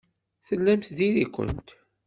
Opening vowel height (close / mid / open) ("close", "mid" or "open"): mid